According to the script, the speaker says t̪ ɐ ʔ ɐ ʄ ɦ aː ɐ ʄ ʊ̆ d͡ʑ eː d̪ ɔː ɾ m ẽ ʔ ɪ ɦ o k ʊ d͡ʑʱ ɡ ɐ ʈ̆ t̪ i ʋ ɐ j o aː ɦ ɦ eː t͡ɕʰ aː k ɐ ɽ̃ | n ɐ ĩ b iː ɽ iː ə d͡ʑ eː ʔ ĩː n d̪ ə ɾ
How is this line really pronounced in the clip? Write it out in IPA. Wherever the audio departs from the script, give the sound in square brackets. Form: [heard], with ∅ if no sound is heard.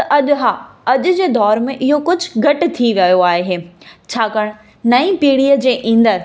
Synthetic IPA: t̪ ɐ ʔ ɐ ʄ ɦ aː ɐ ʄ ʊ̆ d͡ʑ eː d̪ ɔː ɾ m ẽ ʔ ɪ ɦ o k ʊ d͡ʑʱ ɡ ɐ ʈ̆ [t̪ʰ] i ʋ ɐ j o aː ɦ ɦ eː t͡ɕʰ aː k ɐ ɽ̃ | n ɐ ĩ [p] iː ɽ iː ə d͡ʑ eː ʔ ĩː n d̪ ə ɾ